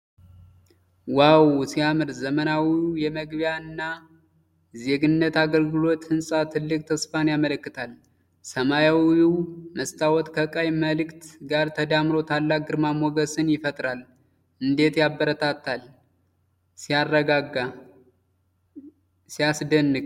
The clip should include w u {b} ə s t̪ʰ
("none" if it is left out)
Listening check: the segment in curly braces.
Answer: m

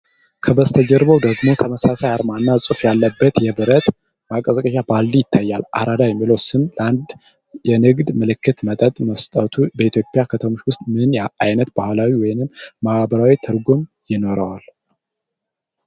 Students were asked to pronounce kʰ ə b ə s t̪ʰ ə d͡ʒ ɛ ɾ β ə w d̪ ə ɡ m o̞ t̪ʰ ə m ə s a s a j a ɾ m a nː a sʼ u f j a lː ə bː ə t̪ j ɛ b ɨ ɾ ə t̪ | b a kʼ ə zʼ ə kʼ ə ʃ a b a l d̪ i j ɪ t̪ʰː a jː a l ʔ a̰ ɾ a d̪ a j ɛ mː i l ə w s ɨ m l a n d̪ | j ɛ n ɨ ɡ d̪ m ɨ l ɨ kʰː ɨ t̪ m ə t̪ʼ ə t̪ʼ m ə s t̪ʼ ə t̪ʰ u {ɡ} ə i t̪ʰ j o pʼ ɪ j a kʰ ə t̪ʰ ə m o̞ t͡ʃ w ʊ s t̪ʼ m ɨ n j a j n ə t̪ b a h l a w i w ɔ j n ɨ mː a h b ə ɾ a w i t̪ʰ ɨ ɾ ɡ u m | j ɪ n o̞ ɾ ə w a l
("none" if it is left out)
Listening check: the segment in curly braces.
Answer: b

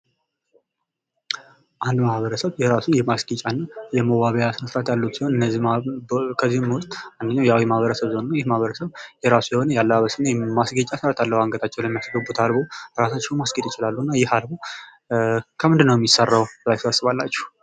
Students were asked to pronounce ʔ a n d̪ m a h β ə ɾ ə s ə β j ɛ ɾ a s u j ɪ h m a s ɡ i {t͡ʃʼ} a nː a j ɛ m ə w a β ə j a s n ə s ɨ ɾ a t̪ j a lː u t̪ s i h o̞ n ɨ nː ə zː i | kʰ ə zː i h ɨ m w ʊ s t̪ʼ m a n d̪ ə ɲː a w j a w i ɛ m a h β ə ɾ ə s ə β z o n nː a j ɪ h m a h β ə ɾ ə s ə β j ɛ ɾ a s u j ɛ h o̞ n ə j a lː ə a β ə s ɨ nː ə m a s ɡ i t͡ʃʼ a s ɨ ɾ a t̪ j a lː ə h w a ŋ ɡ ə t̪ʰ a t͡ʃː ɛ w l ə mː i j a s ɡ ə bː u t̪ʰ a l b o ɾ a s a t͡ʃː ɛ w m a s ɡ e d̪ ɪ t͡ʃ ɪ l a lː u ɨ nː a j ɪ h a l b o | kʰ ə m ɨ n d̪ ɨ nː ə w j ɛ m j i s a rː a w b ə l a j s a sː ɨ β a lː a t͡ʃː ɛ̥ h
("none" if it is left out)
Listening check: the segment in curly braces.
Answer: t͡ʃʼ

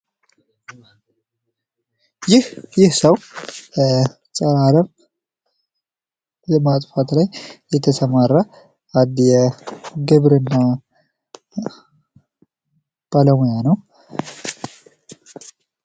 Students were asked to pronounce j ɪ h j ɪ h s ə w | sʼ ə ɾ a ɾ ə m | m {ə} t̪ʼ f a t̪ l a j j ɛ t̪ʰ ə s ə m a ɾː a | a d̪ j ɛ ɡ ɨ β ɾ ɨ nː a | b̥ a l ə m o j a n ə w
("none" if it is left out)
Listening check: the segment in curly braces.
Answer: a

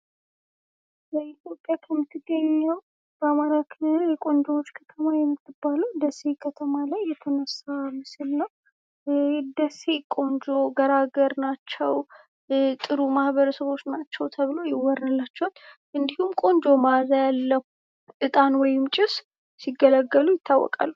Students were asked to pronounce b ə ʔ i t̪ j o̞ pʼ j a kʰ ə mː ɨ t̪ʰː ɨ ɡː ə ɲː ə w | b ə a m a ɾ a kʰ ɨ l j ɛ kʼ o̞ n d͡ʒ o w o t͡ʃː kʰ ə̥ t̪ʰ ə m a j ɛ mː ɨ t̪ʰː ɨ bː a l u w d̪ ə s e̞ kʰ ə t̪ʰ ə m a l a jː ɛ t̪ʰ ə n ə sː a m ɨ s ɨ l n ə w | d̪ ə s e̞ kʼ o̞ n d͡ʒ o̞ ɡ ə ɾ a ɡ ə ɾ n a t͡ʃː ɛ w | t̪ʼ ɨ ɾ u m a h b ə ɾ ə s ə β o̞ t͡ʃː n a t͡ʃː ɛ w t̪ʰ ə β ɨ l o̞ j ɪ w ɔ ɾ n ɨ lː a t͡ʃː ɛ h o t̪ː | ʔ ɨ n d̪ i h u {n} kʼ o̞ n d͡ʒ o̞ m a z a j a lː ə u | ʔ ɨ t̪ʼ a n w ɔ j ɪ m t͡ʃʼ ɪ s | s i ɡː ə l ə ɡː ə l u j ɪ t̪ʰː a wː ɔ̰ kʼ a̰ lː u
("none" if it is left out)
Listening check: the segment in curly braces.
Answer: m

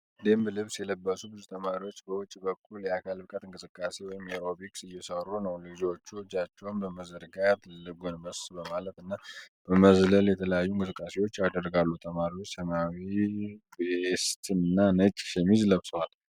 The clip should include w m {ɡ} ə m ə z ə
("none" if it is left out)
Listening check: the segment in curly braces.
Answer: b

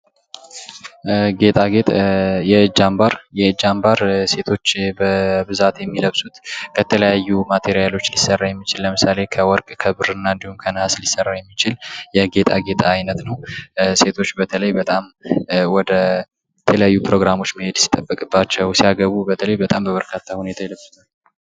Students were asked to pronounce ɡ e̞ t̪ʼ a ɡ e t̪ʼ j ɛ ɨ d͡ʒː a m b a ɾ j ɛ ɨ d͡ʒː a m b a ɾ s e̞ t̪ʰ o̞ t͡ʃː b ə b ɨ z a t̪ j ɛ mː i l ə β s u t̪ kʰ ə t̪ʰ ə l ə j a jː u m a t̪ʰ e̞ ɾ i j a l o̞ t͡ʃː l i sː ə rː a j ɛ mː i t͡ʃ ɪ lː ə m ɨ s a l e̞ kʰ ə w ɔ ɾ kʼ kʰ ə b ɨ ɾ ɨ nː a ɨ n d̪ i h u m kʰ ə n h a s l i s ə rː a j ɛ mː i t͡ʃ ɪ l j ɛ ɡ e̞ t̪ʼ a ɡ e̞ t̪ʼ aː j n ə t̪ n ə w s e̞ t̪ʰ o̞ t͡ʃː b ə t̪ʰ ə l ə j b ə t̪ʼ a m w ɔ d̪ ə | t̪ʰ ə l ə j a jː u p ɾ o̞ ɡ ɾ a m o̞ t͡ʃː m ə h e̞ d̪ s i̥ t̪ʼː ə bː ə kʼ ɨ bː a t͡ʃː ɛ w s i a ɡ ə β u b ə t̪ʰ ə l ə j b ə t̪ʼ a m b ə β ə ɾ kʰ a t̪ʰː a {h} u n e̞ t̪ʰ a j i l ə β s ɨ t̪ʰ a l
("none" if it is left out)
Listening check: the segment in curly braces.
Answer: h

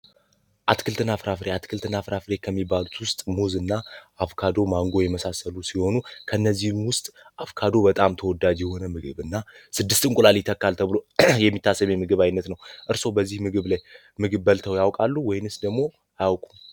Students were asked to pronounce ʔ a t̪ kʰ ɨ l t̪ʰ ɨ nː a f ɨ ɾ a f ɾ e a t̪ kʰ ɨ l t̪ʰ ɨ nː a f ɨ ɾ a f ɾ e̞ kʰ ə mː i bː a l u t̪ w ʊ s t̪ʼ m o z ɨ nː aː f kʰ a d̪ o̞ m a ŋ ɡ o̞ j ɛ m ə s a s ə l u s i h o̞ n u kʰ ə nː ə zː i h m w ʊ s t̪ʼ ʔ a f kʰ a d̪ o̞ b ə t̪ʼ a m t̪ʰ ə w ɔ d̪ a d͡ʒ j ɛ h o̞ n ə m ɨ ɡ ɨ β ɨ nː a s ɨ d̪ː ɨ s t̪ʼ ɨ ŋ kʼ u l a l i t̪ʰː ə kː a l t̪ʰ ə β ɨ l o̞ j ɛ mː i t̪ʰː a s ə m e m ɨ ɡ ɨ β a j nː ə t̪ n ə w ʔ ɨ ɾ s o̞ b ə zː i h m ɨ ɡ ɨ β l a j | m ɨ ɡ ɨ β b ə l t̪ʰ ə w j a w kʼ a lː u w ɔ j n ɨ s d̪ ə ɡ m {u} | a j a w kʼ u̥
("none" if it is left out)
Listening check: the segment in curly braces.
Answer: o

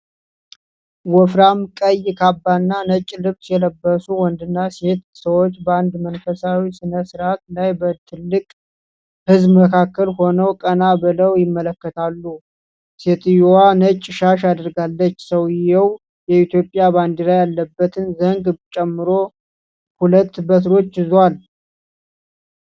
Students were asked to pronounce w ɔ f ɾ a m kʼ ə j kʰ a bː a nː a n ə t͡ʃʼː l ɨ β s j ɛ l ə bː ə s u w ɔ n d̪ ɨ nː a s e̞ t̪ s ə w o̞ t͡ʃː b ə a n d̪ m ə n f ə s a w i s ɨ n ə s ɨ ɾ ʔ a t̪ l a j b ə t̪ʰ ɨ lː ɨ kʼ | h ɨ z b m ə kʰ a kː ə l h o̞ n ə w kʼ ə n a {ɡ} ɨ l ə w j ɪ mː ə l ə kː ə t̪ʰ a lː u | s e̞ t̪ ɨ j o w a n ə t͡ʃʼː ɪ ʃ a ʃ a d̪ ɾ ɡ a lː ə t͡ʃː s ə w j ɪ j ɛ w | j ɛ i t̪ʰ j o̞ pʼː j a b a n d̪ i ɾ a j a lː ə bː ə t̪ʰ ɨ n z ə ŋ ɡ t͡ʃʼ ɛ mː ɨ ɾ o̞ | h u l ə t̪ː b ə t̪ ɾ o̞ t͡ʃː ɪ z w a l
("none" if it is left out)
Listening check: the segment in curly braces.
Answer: b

